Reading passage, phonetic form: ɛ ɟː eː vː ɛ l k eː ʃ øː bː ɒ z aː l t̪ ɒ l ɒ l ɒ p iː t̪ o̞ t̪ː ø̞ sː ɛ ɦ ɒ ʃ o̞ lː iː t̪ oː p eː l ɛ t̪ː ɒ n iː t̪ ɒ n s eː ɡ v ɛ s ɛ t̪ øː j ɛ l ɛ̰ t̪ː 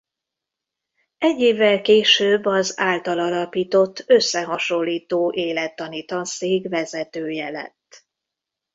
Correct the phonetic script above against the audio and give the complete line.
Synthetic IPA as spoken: ɛ ɟː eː vː ɛ l k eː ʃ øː bː ɒ z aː l t̪ ɒ l ɒ l ɒ p iː t̪ o̞ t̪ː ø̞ sː ɛ ɦ ɒ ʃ o̞ lː iː t̪ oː ʔ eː l ɛ t̪ː ɒ n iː t̪ ɒ n s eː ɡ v ɛ z ɛ t̪ øː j ɛ l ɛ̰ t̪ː